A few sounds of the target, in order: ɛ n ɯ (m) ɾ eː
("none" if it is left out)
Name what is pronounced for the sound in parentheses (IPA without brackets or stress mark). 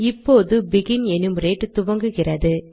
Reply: m